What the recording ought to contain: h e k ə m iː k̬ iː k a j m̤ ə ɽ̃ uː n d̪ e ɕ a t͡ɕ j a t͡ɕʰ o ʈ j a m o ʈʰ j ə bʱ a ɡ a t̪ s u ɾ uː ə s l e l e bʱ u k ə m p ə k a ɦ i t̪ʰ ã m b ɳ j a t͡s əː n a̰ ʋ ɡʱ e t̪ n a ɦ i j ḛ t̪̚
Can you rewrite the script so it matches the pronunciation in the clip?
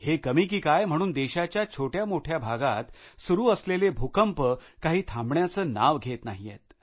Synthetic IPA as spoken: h e k ə m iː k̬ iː k a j m̤ ə ɽ̃ uː n d̪ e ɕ a t͡ɕ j a t͡ɕʰ o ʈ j a m o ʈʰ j a bʱ a ɡ a t̪ s u ɾ uː ə s l e l e bʱ u k ə m p ə k a ɦ iː t̪ʰ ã m b ɳ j a t͡s əː n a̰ ʋ ɡʱ e t̪ n a ɦ i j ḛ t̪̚